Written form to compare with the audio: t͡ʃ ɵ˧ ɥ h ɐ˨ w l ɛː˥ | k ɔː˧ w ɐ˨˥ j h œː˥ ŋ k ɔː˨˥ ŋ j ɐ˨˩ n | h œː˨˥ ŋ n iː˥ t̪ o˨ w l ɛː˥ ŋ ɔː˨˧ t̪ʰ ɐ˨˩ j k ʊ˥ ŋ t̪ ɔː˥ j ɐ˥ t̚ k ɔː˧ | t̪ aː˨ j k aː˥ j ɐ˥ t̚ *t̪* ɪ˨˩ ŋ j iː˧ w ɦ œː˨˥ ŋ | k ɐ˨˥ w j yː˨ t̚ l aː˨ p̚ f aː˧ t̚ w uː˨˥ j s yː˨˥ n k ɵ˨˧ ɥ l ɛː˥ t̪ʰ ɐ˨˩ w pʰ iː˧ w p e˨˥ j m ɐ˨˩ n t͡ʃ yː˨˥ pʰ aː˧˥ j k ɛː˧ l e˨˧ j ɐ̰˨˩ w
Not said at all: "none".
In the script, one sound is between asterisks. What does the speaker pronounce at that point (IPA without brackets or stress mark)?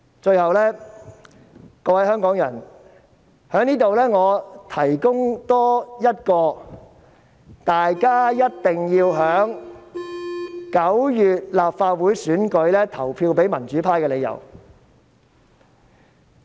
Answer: t̪